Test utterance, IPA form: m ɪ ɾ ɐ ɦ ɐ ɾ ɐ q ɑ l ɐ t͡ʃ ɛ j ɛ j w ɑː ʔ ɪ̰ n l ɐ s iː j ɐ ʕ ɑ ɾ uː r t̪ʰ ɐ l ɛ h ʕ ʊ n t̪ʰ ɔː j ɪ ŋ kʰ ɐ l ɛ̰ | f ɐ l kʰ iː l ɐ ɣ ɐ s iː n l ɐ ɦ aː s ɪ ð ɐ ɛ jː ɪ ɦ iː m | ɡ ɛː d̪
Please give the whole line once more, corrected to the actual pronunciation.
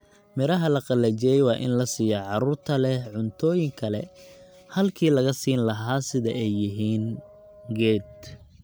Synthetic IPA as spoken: m ɪ ɾ ɐ ɦ ɐ l ɐ q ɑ l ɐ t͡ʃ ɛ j ɛ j w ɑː ʔ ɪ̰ n l ɐ s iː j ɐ ʕ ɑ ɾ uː r t̪ʰ ɐ l ɛ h ʕ ʊ n t̪ʰ ɔː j ɪ ŋ kʰ ɐ l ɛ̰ | h ɐ l kʰ iː l ɐ ɣ ɐ s iː n l ɐ ɦ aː s ɪ ð ɐ ɛ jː ɪ ɦ iː n | ɡ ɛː d̪